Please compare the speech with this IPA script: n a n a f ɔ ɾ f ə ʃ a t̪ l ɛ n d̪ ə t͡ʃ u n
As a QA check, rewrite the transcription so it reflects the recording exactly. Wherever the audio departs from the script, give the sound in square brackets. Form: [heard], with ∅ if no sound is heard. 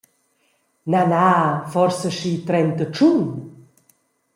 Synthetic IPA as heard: n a n a f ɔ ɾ [s] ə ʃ [i] t̪ [ɾ] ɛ n [t̪] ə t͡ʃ u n